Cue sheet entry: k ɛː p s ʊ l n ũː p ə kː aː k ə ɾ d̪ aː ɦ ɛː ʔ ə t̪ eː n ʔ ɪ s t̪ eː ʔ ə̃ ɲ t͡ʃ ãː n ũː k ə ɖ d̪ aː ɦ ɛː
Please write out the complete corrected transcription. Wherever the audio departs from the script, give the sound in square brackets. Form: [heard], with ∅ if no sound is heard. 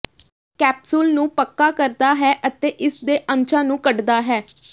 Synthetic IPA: k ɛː p s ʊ l n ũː p ə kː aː k ə ɾ d̪ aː ɦ ɛː ʔ ə t̪ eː [∅] ʔ ɪ s [d̪] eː ʔ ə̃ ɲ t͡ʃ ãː n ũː k ə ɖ d̪ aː ɦ ɛː

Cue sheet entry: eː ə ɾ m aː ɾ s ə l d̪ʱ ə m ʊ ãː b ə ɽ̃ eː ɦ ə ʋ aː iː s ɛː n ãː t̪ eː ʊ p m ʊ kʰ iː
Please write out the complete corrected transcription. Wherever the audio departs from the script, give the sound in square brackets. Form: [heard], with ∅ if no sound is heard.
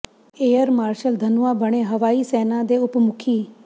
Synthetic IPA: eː ə ɾ m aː ɾ [ʃ] ə l d̪ʱ ə [n] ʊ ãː b ə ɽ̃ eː ɦ ə ʋ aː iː s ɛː n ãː [d̪] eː ʊ p m ʊ kʰ iː

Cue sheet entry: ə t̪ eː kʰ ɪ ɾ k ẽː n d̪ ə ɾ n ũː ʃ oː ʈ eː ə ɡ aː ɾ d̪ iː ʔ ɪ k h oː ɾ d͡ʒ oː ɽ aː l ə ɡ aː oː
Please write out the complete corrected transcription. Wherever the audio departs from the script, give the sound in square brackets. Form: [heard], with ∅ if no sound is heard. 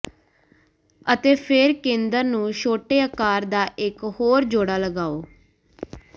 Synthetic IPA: ə t̪ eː [pʰ] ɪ ɾ k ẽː n d̪ ə ɾ n ũː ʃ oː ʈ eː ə [k] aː ɾ d̪ [aː] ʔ ɪ k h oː ɾ d͡ʒ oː ɽ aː l ə ɡ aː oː

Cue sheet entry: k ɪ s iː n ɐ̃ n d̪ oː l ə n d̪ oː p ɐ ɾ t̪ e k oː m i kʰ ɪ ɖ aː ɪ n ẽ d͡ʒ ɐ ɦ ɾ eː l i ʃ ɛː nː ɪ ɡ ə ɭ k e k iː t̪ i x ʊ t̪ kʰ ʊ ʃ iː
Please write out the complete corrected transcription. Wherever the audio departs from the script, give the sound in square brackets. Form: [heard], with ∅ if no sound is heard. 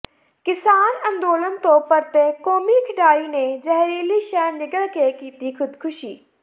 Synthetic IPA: k ɪ s [aː] n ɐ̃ n d̪ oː l ə n [t̪] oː p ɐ ɾ t̪ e k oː m i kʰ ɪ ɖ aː [i] n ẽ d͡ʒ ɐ ɦ ɾ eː l i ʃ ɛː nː ɪ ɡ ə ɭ k e k iː t̪ i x ʊ [d̪] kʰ ʊ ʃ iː

